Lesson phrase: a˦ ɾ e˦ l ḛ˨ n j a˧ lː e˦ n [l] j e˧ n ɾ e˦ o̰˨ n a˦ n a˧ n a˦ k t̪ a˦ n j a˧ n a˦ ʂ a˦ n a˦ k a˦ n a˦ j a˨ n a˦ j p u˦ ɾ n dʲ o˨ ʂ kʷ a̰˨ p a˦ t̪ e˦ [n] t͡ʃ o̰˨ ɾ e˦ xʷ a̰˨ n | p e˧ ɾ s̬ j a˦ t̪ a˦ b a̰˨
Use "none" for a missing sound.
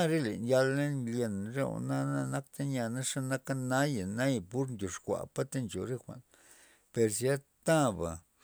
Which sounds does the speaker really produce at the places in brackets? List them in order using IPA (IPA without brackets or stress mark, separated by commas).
l, n